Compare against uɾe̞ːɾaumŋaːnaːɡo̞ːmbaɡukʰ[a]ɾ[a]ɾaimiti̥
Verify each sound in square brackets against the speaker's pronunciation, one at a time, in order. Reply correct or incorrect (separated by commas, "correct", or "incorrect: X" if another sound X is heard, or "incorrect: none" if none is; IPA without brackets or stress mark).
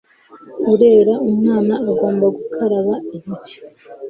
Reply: correct, correct